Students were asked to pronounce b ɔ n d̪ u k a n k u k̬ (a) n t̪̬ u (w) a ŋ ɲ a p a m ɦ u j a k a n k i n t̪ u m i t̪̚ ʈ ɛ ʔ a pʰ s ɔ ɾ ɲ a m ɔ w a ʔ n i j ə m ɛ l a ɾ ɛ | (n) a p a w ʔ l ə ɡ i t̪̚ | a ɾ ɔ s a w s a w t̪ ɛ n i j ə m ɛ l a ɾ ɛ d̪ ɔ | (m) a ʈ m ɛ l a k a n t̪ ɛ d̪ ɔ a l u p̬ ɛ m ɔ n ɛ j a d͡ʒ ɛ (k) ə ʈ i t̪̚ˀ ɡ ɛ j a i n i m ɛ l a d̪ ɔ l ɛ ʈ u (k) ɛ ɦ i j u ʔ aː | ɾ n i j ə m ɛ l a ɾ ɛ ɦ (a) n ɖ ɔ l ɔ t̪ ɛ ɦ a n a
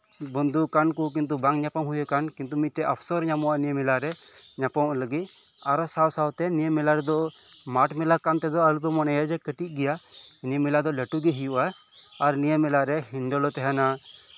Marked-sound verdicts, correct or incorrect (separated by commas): incorrect, incorrect, incorrect, correct, correct, incorrect, incorrect